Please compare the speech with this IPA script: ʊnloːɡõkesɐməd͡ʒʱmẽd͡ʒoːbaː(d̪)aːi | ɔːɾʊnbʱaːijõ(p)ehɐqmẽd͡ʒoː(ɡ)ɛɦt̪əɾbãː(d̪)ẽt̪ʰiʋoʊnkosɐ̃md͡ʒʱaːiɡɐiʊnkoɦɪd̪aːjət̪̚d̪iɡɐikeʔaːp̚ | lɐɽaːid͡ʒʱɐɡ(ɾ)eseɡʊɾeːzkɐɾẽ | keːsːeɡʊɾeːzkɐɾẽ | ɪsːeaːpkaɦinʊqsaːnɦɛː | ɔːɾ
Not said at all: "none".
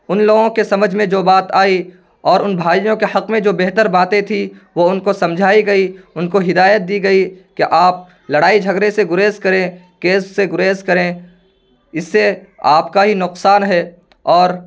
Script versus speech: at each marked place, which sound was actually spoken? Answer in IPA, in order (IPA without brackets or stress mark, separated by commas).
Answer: t̪, k, b, t̪, ɾ